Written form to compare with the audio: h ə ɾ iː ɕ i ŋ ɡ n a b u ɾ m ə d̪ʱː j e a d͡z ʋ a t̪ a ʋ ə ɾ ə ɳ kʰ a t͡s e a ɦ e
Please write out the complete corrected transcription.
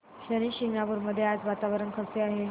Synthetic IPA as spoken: ɕ ə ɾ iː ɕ i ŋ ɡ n a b u ɾ m ə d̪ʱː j e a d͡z ʋ a t̪ a ʋ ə ɾ ə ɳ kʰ ə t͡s e a ɦ e